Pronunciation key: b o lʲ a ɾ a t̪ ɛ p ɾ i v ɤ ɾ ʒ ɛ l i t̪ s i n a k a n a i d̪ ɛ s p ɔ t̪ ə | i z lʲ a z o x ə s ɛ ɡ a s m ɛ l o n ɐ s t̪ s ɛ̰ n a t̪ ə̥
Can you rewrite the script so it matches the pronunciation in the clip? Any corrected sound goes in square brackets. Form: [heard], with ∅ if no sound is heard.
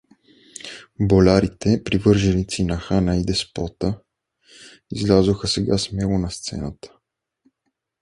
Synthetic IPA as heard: b o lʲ a ɾ [i] t̪ ɛ p ɾ i v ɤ ɾ ʒ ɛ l i t̪ s i n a [x] a n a i d̪ ɛ s p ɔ t̪ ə | i z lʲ a z o x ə s ɛ ɡ a s m ɛ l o n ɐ s t̪ s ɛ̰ n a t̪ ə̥